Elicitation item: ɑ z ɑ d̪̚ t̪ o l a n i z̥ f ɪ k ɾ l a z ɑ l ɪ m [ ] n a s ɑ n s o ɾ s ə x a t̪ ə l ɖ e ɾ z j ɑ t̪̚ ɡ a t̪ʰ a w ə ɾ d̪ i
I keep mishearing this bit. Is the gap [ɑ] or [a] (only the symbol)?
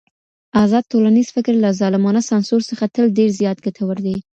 ɑ